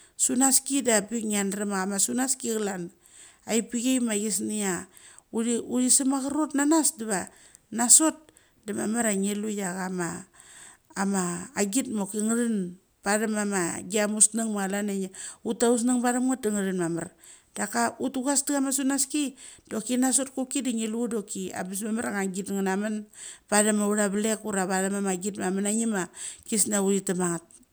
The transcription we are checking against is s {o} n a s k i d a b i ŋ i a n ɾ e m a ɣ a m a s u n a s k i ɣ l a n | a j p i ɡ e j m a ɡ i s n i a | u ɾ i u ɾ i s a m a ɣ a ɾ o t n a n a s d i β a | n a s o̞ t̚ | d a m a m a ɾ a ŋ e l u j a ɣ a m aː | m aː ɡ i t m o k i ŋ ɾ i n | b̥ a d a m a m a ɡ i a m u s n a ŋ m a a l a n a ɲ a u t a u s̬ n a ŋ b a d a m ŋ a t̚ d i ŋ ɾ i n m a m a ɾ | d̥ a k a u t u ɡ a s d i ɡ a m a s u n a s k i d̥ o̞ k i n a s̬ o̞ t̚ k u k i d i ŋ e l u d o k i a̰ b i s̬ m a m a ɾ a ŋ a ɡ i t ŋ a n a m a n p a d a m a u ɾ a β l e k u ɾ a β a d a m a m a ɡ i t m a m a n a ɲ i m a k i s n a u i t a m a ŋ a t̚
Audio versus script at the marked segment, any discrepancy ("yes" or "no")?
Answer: yes